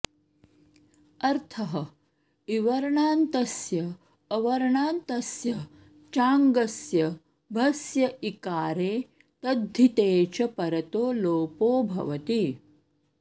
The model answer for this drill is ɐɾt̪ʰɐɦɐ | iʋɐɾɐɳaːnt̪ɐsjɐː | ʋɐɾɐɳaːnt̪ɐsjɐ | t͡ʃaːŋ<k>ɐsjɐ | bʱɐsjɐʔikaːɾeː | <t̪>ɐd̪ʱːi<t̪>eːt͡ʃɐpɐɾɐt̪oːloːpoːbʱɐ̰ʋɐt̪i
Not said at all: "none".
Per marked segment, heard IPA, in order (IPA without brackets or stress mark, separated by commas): ɡ, t̪, t̪